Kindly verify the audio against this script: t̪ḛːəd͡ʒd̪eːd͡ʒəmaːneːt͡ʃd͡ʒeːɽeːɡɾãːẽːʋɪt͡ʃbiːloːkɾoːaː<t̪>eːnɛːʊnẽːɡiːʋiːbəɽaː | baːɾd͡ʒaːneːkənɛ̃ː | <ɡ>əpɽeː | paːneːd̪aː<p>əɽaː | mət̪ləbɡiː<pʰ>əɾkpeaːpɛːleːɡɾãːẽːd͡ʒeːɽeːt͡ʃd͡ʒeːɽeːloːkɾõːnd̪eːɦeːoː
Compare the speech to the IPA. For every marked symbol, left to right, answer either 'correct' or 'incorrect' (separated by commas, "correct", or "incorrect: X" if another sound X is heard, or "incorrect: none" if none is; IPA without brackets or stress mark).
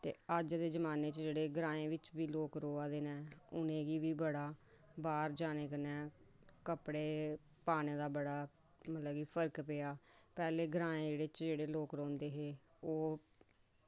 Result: incorrect: d̪, incorrect: k, incorrect: b, correct